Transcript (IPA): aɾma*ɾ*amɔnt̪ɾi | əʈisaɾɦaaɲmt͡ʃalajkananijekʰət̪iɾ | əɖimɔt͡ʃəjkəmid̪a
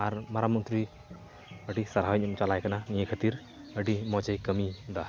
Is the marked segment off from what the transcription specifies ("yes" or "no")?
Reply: no